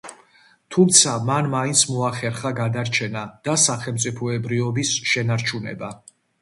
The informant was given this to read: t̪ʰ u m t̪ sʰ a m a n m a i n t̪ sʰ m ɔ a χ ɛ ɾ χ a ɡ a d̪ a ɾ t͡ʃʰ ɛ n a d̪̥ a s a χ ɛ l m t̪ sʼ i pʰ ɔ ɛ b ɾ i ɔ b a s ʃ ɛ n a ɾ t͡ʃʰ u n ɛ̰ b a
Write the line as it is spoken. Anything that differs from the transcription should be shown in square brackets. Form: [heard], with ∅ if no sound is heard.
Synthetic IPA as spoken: t̪ʰ u m t̪ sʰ a m a n m a i n t̪ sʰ m ɔ a χ ɛ ɾ χ a ɡ a d̪ a ɾ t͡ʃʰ ɛ n a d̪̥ a s a χ ɛ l m t̪ sʼ i pʰ ɔ ɛ b ɾ i ɔ b [i] s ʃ ɛ n a ɾ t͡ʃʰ u n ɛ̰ b a